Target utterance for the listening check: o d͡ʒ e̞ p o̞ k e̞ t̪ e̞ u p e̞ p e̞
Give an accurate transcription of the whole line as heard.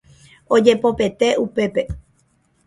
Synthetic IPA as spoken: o d͡ʒ e̞ p o̞ p e̞ t̪ e̞ u p e̞ p e̞